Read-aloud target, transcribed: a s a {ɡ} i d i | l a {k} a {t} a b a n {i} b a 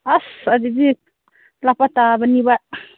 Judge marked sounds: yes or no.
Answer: no, no, yes, yes

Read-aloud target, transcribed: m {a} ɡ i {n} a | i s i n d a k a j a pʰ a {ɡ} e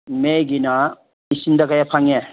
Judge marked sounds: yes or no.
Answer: no, yes, no

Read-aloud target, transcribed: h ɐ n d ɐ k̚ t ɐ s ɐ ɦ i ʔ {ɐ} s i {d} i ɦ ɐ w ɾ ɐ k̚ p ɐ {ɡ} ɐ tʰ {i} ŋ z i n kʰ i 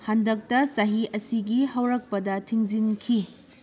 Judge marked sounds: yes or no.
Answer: yes, no, no, yes

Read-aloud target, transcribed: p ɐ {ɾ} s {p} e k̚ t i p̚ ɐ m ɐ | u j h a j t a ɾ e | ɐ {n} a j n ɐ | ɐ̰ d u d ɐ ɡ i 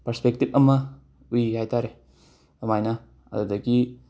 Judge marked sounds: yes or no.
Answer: yes, yes, no

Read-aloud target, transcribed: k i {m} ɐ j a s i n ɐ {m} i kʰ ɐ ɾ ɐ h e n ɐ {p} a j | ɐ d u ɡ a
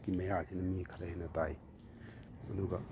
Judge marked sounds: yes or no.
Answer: yes, yes, no

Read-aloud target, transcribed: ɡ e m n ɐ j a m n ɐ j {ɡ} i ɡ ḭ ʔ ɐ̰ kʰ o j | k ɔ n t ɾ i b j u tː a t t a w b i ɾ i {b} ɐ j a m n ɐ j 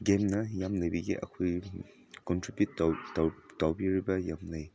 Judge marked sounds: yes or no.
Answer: no, yes

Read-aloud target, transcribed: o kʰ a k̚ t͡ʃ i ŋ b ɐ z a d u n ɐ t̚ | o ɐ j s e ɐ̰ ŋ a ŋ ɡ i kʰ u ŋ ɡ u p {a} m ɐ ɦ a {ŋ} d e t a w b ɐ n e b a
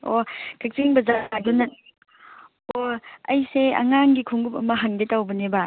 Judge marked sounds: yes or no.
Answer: no, yes

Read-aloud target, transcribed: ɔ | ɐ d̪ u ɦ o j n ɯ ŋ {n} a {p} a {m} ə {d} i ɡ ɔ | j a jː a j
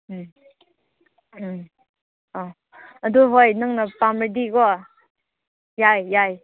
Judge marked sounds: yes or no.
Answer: yes, yes, yes, yes

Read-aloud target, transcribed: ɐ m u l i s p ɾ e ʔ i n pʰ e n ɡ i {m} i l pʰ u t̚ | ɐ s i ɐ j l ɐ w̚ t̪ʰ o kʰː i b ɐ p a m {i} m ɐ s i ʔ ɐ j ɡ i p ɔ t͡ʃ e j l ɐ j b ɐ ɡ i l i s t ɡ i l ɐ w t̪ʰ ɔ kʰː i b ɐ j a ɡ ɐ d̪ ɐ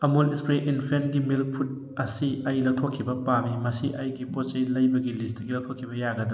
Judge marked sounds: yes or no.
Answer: yes, yes

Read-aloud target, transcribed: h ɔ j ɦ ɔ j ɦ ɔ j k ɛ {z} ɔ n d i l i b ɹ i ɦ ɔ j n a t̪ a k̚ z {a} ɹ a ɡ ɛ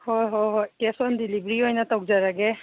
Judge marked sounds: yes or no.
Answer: no, yes

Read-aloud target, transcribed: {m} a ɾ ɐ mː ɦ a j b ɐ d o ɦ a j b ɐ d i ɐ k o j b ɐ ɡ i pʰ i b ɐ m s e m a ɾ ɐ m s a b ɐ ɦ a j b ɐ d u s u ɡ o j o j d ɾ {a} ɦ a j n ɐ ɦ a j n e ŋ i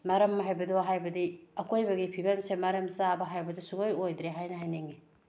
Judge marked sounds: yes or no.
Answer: yes, no

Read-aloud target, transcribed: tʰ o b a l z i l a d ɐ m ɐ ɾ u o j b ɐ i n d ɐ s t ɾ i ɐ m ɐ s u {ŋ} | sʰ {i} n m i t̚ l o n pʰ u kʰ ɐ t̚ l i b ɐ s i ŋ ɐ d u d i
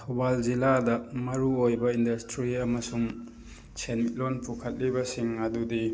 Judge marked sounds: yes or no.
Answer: yes, no

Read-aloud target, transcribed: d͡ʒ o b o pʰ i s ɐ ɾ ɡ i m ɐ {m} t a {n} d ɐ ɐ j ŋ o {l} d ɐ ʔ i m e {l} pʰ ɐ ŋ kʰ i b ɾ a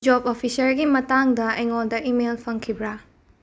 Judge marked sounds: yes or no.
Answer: no, no, yes, yes

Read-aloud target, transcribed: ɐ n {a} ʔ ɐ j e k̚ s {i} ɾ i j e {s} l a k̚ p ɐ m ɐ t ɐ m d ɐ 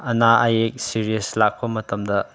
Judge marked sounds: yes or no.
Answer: yes, yes, yes

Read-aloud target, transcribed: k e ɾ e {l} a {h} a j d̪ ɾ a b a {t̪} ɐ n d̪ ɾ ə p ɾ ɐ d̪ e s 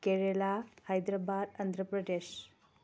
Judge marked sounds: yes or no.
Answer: yes, yes, no

